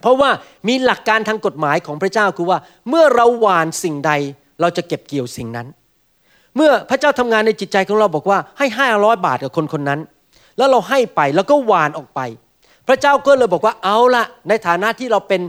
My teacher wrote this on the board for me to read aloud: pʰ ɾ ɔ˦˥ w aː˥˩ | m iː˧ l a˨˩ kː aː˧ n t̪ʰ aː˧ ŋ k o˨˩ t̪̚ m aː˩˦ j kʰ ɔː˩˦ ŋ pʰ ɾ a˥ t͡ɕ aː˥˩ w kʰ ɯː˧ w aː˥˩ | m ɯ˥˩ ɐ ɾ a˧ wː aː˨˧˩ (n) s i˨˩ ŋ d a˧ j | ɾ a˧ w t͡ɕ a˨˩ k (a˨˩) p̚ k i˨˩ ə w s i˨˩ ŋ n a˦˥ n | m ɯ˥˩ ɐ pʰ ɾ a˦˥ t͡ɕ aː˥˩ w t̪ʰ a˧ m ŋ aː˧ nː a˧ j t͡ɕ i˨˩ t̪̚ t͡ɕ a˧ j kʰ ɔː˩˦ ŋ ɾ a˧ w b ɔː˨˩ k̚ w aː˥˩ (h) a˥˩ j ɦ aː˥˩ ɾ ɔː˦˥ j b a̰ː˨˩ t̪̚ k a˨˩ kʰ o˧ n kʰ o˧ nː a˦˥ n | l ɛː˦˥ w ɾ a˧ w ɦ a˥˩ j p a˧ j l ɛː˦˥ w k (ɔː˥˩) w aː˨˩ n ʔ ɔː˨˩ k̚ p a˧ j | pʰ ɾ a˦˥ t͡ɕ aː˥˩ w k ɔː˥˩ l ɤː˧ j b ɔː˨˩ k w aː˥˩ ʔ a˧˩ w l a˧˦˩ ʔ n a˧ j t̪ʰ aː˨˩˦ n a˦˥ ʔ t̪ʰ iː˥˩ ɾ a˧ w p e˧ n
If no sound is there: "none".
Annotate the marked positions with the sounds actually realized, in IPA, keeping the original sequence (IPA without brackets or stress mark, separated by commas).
n, e˨˩, h, ɔː˥˩